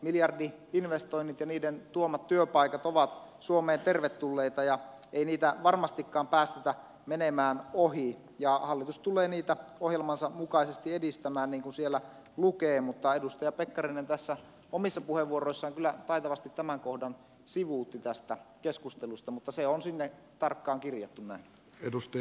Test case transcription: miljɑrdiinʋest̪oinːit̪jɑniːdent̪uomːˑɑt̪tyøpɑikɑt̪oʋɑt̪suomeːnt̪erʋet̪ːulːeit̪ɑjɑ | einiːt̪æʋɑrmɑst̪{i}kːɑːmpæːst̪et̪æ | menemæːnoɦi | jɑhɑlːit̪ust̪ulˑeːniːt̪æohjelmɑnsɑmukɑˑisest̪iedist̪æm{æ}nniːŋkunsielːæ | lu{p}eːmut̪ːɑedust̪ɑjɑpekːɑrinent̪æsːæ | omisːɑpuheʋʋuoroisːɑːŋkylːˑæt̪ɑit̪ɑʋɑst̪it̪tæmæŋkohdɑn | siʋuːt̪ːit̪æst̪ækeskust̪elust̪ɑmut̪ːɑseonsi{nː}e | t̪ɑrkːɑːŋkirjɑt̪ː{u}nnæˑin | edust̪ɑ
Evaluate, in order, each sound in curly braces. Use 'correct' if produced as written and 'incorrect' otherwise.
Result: correct, incorrect, incorrect, correct, correct

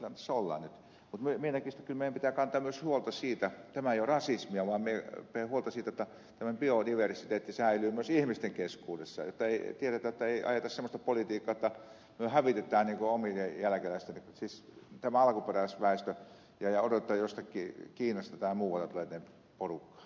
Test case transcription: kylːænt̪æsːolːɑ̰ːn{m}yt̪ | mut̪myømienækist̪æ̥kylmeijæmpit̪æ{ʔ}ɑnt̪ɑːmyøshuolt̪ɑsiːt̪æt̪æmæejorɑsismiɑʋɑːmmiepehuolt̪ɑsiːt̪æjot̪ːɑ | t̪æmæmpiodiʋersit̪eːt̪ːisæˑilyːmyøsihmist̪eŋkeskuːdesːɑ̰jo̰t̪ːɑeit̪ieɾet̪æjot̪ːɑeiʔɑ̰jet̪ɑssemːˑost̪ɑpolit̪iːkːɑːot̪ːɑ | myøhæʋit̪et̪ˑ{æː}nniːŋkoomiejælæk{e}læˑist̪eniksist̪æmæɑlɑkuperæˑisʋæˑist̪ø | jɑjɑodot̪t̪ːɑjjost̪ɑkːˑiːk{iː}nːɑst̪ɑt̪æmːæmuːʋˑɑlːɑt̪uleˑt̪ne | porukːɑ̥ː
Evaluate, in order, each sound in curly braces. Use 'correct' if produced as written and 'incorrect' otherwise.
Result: incorrect, incorrect, correct, correct, correct

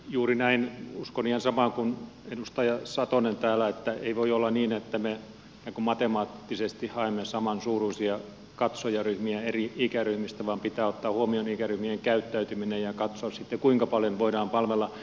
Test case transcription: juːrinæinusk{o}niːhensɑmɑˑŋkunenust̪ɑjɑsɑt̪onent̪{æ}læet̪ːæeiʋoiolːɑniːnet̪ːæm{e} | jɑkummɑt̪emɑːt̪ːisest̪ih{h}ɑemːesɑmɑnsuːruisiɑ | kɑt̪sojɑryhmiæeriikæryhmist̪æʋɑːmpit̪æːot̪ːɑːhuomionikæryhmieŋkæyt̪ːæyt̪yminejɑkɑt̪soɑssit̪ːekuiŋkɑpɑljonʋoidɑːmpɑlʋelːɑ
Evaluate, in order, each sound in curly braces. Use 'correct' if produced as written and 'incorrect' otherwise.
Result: correct, incorrect, correct, correct

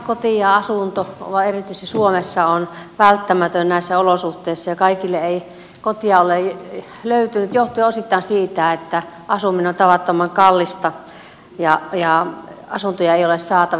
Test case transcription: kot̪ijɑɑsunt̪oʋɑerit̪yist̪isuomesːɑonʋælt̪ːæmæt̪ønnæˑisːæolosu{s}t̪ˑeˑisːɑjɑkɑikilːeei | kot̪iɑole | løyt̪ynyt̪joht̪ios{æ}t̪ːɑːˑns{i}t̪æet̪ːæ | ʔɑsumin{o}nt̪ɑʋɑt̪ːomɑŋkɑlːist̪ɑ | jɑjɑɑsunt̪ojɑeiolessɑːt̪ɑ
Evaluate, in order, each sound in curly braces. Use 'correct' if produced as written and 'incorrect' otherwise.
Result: incorrect, incorrect, incorrect, correct

